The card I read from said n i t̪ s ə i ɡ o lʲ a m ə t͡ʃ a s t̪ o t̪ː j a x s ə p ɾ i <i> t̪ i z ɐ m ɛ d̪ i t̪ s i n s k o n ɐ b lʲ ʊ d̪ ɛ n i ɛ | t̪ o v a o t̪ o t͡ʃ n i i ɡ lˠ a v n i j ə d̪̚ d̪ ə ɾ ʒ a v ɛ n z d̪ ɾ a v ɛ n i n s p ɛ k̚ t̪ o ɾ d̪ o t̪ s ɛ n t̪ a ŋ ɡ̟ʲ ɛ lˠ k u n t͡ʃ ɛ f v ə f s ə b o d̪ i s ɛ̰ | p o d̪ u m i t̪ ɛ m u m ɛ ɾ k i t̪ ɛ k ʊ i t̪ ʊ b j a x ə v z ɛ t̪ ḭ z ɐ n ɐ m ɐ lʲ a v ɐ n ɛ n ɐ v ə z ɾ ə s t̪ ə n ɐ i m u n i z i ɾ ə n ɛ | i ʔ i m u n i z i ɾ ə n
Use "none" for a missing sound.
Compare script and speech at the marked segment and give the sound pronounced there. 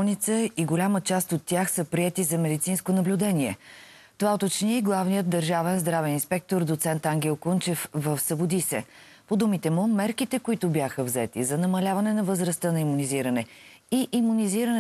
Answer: ɛ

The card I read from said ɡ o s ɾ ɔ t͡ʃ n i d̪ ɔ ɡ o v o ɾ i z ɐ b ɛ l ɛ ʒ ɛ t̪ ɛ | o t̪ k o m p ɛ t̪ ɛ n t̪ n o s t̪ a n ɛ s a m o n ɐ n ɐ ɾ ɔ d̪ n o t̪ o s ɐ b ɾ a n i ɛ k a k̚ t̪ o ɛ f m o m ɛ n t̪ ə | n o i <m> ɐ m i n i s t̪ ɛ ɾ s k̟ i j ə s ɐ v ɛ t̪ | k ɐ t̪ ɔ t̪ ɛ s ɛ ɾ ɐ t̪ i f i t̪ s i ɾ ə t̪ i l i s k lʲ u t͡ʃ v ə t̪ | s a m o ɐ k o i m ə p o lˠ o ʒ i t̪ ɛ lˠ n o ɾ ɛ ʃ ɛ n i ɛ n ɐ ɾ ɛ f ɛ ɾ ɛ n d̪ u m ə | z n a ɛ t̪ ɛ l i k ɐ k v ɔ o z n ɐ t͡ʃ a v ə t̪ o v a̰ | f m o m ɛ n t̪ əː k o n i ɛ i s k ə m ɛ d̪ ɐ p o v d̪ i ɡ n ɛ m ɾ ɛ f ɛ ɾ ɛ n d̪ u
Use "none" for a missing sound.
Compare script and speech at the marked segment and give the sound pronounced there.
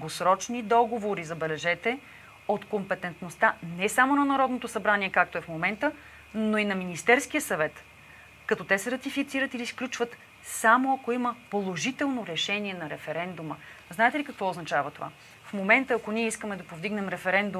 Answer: n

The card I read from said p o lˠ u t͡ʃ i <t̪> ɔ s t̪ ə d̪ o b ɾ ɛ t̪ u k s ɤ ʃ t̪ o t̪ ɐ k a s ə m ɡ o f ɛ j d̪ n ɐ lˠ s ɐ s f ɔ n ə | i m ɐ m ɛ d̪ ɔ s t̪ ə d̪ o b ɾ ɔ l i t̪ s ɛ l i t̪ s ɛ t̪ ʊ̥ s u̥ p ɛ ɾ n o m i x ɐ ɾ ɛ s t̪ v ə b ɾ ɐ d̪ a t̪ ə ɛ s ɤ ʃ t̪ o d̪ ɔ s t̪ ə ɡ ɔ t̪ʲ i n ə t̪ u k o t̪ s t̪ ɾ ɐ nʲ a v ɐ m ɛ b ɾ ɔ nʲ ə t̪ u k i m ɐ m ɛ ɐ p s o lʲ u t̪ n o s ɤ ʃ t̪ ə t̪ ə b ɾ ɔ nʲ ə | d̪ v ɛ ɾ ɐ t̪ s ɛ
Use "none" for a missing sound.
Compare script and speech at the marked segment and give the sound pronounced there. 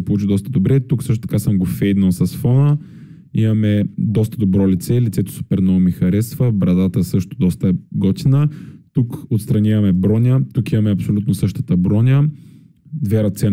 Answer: d̪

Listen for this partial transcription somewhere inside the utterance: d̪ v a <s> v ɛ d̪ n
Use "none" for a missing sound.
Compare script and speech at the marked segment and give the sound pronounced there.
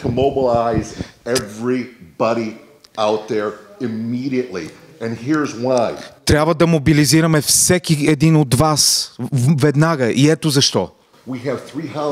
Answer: s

